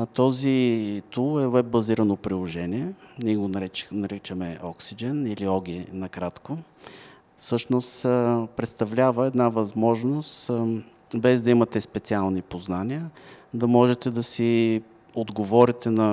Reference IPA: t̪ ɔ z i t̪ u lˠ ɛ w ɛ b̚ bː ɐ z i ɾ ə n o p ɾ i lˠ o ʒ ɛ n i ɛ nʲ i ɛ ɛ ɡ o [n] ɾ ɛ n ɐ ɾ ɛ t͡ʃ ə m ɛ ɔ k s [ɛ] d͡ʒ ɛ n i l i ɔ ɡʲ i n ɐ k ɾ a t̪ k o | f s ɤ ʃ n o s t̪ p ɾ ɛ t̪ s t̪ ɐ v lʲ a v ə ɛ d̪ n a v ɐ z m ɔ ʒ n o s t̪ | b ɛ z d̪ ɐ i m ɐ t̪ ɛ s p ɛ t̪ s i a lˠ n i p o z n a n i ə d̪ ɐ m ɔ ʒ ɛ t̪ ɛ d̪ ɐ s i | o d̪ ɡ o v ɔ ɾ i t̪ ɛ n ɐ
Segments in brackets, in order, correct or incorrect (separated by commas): correct, incorrect